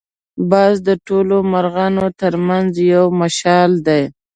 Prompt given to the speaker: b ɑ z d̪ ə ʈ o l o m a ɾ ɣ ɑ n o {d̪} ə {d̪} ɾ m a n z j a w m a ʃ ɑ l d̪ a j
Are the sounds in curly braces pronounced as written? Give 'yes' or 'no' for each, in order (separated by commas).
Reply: no, no